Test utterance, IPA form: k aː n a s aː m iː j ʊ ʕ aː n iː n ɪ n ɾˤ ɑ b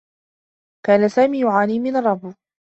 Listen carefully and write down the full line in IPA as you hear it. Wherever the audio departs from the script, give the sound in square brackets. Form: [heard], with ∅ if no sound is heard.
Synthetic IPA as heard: k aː n a s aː m iː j ʊ ʕ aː n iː [m] ɪ n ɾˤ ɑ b

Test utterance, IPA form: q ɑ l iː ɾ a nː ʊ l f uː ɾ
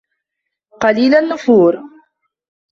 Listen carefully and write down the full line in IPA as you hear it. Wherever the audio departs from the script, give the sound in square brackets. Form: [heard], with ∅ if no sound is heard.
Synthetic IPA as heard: q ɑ l iː [l] a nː ʊ [∅] f uː ɾ

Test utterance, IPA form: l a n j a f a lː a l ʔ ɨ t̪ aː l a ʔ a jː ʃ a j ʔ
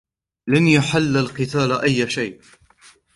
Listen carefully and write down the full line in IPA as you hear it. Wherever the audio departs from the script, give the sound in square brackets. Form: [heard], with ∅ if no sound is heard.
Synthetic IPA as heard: l a n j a [ħ] a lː a l [q] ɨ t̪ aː l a ʔ a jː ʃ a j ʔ

